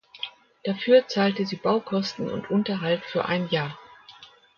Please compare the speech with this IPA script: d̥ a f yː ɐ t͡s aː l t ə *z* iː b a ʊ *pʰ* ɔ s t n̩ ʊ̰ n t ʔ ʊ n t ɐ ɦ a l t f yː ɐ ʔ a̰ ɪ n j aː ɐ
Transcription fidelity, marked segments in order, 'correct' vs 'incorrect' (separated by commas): correct, incorrect